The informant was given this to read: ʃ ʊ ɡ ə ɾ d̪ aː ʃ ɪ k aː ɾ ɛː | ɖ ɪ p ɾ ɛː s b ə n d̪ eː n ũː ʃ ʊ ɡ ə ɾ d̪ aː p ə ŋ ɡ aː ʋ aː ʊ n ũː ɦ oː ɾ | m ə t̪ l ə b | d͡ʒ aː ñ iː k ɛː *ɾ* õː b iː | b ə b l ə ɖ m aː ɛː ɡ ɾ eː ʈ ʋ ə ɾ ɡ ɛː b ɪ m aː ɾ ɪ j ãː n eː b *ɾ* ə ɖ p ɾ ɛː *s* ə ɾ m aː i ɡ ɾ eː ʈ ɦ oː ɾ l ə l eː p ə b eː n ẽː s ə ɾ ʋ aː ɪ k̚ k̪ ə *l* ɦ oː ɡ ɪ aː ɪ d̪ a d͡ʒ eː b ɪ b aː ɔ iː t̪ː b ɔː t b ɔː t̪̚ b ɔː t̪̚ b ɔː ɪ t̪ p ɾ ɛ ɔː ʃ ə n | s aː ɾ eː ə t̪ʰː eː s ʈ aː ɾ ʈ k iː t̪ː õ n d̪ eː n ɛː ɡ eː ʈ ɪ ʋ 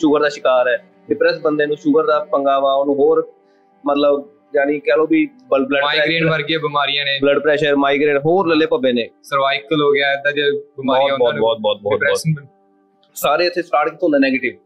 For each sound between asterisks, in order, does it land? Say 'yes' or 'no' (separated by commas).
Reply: no, no, no, yes